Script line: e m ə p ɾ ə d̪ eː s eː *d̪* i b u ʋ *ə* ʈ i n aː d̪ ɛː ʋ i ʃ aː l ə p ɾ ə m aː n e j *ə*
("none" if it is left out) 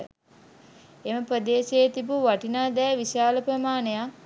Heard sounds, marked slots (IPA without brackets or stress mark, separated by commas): t̪, a, a